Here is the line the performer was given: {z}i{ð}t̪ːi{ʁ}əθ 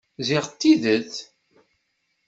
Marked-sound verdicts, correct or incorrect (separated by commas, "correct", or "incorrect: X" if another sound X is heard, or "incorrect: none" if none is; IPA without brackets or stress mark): correct, incorrect: ʁ, incorrect: ð